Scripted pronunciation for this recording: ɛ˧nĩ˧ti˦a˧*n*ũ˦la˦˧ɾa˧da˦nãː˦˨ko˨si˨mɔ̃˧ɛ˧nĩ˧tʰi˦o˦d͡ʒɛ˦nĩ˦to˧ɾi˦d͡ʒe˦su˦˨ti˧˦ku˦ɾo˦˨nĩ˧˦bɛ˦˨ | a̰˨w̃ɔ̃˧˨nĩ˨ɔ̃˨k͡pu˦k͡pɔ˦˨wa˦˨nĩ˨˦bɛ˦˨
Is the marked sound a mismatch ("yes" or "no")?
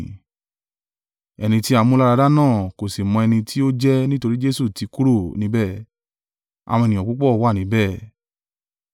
yes